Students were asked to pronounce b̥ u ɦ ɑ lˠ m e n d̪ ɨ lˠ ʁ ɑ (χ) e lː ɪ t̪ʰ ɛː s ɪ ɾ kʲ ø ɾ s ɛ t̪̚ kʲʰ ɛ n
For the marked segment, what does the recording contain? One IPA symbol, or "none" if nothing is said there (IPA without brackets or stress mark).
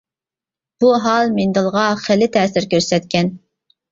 χ